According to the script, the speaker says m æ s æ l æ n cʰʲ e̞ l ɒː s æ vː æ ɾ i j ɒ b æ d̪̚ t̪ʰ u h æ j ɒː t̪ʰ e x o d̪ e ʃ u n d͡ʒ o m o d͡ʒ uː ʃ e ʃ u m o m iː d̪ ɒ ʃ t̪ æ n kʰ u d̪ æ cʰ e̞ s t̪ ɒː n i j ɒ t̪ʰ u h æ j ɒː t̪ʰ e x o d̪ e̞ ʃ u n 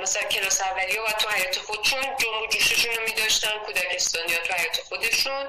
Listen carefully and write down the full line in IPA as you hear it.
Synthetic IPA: m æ s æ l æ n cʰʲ e̞ l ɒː s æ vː æ l i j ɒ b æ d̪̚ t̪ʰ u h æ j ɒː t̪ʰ e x o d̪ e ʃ u n d͡ʒ o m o d͡ʒ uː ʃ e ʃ u n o m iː d̪ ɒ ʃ t̪ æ n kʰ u d̪ æ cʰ e̞ s t̪ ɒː n i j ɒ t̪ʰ u h æ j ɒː t̪ʰ e x o d̪ e̞ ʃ u n